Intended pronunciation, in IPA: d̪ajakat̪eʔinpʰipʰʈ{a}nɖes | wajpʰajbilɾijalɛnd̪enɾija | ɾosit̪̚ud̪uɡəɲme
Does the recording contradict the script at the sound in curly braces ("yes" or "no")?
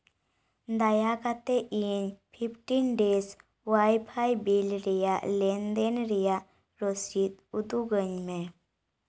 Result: yes